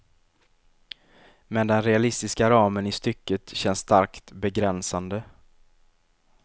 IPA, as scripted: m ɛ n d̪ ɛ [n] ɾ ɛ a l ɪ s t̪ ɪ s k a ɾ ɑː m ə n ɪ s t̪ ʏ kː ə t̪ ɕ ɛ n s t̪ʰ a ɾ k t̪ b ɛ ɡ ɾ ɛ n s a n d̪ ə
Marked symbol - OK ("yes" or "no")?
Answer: yes